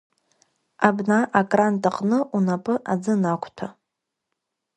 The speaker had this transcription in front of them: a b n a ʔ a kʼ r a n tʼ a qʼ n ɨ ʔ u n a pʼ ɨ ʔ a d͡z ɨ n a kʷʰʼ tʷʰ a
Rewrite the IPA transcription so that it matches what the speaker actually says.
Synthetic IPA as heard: a b n a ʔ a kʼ r a n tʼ a qʼ n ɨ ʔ u n a pʼ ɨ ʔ a d͡z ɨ n a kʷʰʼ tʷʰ a

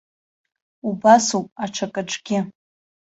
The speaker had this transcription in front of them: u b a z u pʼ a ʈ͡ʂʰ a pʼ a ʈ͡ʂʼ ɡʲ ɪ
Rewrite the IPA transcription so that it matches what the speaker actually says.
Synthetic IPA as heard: u b a s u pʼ a ʈ͡ʂʰ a kʼ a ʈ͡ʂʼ ɡʲ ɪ

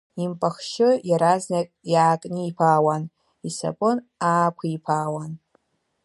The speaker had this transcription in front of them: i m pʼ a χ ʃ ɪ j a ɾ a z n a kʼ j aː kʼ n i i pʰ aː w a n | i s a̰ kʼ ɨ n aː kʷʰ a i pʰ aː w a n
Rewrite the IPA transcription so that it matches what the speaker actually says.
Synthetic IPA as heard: i m pʼ a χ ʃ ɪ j a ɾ a z n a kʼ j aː kʼ n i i pʰ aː w a n | i s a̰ pʼ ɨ n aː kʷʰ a i pʰ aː w a n

